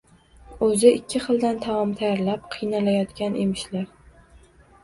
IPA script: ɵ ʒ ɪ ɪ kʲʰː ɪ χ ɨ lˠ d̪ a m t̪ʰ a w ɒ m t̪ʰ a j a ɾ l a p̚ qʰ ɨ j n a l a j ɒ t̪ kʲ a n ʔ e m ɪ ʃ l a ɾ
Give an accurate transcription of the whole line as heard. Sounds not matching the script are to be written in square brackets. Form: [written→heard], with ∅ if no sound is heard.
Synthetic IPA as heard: ɵ [ʒ→z] ɪ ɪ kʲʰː ɪ χ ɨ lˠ d̪ a [m→n] t̪ʰ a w ɒ m t̪ʰ a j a ɾ l a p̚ qʰ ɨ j n a l a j ɒ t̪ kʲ a n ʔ e m ɪ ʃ l a ɾ